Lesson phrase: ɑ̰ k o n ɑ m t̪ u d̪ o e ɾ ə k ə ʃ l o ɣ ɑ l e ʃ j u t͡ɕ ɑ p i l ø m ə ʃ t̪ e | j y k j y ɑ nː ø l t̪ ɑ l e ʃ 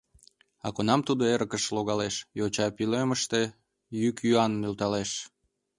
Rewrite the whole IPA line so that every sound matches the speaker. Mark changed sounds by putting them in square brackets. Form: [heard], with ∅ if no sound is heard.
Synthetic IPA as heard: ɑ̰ k o n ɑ m t̪ u d̪ o e ɾ ə k ə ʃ l o ɣ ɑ l e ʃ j [o] t͡ɕ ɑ p i l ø m ə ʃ t̪ e | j y k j y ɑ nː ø l t̪ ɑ l e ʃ

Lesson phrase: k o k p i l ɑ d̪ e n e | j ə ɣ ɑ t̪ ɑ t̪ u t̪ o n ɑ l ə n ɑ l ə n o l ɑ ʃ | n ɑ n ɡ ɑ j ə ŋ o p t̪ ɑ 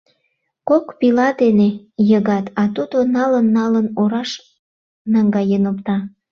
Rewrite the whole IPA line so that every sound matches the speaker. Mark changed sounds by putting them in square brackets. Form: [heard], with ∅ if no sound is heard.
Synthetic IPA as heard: k o k p i l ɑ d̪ e n e | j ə ɣ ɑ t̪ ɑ t̪ u [d̪] o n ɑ l ə [nː] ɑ l ə n o [ɾ] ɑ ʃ | n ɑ [ŋ] ɡ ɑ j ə [n] o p t̪ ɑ

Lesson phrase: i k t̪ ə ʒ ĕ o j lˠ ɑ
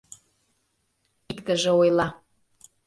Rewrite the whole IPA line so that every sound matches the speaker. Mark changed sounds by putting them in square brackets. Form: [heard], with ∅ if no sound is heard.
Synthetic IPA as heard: i k t̪ ə ʒ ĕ o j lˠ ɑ

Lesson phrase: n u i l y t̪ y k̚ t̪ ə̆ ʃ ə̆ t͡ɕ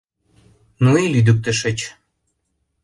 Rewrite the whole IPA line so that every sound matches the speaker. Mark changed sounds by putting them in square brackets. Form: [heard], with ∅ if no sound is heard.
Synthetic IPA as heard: n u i l y [d̪] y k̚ t̪ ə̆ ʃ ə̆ t͡ɕ

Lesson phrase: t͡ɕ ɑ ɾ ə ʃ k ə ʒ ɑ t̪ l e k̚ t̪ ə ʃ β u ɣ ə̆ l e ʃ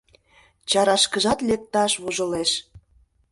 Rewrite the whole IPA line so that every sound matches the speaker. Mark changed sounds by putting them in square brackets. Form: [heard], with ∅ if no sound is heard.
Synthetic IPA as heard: t͡ɕ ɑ ɾ [ɑ] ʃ k ə ʒ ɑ t̪ l e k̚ t̪ [ɑ] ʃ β u [ʒ] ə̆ l e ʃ

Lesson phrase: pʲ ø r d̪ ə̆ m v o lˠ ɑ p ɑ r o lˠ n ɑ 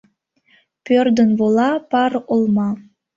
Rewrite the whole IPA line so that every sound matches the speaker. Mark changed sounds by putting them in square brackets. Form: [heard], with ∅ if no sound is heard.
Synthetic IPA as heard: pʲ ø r d̪ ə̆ [n] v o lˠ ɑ p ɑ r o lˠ [m] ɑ

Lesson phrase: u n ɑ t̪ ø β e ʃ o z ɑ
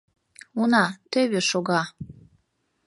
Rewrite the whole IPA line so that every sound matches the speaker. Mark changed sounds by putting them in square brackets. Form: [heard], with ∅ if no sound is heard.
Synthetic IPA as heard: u n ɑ t̪ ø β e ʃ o [ɣ] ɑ

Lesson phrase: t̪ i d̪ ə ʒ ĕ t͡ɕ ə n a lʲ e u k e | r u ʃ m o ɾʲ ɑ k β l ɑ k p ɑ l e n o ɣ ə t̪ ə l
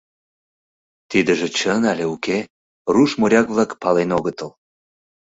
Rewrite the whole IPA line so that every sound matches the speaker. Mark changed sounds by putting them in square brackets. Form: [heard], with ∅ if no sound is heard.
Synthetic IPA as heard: t̪ i d̪ ə ʒ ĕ t͡ɕ ə n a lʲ e u k e | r u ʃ m o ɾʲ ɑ k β l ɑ k p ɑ l e n o ɣ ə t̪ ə l

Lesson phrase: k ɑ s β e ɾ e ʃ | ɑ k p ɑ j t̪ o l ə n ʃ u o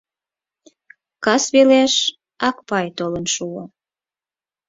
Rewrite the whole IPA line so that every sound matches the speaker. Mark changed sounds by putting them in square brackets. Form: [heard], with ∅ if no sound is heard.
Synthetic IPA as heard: k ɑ s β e [l] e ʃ | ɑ k p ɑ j t̪ o l ə n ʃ u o

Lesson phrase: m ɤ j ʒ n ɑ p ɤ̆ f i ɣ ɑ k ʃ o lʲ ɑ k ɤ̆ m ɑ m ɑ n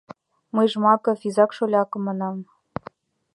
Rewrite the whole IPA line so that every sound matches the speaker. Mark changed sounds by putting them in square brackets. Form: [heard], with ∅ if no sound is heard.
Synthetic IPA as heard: m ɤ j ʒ [m] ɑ [k] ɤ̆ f i [z] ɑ k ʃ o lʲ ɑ k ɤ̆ m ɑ [n] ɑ [m]

